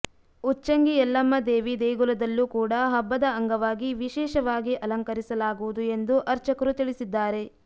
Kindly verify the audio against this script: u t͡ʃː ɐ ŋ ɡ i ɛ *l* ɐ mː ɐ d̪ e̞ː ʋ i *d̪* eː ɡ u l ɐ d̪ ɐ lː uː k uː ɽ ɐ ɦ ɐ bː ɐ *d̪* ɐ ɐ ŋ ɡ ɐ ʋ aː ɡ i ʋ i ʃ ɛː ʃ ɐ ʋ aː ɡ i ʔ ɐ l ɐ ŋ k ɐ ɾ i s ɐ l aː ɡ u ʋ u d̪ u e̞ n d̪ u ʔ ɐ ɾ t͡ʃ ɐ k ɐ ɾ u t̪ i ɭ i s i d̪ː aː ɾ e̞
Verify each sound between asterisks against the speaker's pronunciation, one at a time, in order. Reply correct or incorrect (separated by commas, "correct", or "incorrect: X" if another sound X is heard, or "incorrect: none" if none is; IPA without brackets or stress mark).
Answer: incorrect: lː, correct, correct